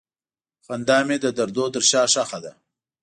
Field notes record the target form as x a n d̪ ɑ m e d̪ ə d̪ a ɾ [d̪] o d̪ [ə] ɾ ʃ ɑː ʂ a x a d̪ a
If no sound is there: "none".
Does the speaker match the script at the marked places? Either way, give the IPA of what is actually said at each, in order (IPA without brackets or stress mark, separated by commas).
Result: d̪, ə